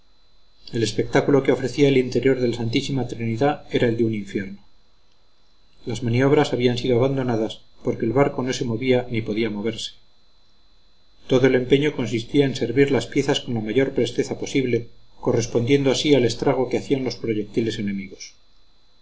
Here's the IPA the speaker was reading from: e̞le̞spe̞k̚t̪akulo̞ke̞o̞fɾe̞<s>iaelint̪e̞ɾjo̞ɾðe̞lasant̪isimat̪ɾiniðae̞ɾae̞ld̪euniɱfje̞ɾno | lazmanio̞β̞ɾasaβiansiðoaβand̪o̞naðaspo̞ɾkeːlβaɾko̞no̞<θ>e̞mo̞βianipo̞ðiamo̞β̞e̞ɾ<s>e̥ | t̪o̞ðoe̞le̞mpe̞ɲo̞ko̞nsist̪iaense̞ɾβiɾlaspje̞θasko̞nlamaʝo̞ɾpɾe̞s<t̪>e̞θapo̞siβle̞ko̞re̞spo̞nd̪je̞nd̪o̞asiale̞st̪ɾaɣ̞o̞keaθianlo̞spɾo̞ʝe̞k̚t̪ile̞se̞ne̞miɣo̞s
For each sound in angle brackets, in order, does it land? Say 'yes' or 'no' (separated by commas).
no, no, yes, yes